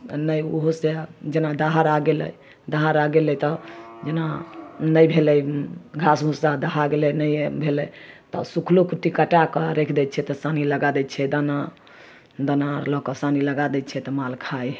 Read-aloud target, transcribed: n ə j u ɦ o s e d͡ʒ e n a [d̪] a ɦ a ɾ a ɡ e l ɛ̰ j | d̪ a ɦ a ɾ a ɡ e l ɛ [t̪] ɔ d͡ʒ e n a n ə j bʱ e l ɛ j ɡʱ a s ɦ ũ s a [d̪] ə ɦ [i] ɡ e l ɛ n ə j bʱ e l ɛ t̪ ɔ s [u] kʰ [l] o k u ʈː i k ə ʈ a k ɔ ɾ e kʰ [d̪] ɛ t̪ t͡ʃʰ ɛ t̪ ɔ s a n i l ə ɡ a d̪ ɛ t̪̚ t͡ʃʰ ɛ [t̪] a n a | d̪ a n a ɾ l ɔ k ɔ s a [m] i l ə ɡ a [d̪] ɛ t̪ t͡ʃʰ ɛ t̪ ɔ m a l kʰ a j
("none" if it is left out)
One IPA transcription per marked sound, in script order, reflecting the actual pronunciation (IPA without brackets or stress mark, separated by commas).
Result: d̪, t̪, d̪, a, u, l, d̪, d̪, n, d̪